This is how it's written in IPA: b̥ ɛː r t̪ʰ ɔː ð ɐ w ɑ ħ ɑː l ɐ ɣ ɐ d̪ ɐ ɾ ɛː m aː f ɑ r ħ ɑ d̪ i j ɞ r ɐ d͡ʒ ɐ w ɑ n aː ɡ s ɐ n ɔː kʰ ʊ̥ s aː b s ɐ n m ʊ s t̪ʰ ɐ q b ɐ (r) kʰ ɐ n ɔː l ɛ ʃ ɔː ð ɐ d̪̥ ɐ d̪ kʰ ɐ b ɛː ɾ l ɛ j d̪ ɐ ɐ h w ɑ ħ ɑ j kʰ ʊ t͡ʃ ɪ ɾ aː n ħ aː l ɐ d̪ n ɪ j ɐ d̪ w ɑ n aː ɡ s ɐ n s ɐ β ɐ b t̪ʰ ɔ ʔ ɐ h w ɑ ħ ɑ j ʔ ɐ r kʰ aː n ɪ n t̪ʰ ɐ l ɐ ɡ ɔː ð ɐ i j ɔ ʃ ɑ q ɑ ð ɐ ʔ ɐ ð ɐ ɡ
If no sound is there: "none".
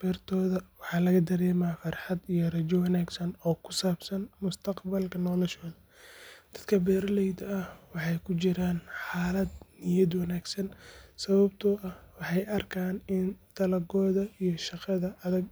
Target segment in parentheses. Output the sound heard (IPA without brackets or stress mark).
l